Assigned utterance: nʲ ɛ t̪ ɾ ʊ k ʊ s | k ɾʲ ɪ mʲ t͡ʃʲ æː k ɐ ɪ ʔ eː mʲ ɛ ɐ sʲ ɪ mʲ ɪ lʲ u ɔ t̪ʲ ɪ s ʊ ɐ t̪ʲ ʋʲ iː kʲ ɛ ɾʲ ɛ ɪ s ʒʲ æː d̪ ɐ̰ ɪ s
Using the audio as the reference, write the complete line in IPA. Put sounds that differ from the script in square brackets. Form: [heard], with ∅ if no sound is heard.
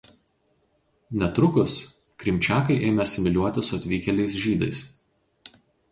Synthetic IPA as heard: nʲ ɛ t̪ ɾ ʊ k ʊ s | k ɾʲ ɪ mʲ t͡ʃʲ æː k ɐ ɪ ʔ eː mʲ ɛ ɐ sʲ ɪ mʲ ɪ lʲ u ɔ t̪ʲ ɪ s ʊ ɐ t̪ʲ ʋʲ iː kʲ ɛ [lʲ] ɛ ɪ s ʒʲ [iː] d̪ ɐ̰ ɪ s